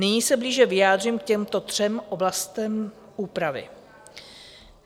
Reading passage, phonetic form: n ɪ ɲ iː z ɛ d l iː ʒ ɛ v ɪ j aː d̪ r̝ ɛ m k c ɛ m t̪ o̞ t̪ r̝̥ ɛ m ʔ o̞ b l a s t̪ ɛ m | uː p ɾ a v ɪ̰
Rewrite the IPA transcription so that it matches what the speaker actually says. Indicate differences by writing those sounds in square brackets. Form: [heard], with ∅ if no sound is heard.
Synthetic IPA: n ɪ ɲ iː [s] ɛ [b] l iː ʒ ɛ v ɪ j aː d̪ r̝ [i] m k c ɛ m t̪ o̞ t̪ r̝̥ ɛ m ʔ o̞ b l a s t̪ ɛ m | uː p ɾ a v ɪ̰